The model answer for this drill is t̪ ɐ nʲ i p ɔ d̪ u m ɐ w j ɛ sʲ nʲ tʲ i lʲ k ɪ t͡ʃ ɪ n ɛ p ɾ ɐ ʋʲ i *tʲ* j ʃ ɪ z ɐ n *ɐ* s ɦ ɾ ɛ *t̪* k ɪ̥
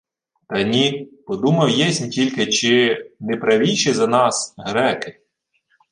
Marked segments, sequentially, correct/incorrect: incorrect, incorrect, incorrect

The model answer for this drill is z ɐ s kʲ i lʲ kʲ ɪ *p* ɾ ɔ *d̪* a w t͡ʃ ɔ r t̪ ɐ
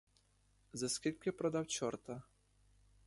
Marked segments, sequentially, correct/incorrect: correct, correct

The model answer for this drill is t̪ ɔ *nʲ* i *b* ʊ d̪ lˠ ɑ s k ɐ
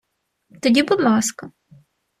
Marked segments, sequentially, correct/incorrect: incorrect, correct

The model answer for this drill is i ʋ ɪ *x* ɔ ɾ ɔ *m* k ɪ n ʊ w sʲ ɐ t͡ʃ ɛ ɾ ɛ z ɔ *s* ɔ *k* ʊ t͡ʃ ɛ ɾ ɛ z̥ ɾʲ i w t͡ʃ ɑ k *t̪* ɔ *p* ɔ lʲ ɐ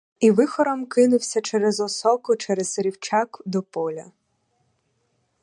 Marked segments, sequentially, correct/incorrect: correct, correct, correct, correct, incorrect, correct

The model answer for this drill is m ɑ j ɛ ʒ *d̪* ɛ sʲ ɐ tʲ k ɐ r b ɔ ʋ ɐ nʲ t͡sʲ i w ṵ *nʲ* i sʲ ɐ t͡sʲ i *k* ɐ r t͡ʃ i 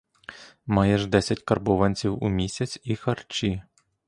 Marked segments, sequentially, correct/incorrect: correct, incorrect, incorrect

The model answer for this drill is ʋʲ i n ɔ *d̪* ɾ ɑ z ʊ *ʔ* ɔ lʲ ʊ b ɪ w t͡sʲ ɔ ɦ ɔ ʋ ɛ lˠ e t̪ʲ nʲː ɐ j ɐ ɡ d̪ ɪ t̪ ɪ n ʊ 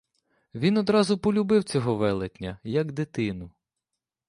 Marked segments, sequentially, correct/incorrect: correct, incorrect

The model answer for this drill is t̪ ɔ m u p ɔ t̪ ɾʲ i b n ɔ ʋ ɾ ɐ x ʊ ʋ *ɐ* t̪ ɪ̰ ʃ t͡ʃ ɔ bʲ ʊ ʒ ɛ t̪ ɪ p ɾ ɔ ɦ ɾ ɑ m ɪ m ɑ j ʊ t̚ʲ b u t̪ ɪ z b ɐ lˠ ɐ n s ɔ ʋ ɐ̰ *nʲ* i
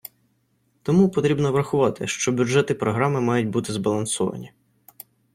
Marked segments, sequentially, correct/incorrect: incorrect, correct

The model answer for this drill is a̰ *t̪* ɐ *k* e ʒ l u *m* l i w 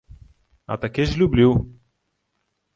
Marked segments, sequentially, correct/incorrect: correct, correct, incorrect

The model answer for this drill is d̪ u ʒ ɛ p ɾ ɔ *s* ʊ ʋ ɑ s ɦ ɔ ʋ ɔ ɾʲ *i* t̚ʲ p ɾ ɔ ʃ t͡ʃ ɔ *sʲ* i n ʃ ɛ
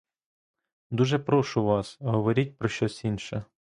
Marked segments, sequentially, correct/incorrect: incorrect, correct, correct

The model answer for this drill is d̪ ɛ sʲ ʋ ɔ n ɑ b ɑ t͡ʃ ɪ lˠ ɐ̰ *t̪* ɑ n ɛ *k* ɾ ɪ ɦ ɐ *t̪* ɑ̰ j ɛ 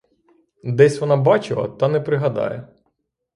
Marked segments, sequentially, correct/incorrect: correct, incorrect, incorrect

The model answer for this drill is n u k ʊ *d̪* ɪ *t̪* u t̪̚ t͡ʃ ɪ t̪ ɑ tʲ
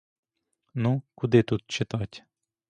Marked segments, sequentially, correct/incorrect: correct, correct

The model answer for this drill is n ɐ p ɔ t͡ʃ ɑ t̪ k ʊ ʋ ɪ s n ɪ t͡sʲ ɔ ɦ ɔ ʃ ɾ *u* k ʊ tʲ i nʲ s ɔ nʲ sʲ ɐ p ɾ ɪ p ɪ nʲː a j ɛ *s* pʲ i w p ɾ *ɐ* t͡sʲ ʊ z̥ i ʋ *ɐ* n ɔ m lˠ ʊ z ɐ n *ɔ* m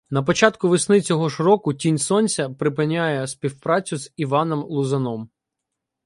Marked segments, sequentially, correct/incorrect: incorrect, correct, incorrect, incorrect, correct

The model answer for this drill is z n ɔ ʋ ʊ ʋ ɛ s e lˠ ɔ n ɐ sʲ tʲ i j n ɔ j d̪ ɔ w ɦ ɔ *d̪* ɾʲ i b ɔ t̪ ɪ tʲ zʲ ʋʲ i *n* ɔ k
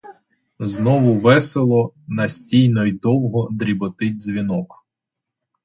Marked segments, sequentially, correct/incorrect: correct, correct

